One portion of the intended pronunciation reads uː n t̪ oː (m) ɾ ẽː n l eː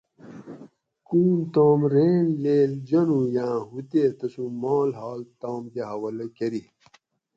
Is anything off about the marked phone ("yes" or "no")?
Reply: no